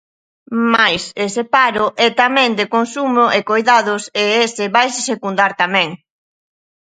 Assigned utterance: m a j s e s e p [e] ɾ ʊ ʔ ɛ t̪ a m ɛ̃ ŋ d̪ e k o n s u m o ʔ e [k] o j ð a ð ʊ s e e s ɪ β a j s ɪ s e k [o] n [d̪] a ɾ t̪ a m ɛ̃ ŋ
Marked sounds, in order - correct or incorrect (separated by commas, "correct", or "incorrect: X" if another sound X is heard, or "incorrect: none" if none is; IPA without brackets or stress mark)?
incorrect: a, correct, incorrect: u, correct